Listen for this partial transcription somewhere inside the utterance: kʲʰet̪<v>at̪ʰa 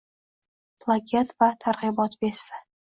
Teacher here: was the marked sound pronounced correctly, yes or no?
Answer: yes